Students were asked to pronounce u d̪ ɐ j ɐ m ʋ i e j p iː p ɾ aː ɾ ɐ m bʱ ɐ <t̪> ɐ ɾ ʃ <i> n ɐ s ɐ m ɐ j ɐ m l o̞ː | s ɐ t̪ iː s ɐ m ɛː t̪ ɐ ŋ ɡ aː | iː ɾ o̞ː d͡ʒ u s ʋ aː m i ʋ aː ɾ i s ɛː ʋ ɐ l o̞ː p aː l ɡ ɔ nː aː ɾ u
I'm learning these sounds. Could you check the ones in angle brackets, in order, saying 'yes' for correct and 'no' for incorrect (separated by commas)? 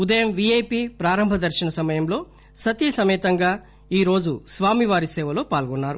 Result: no, yes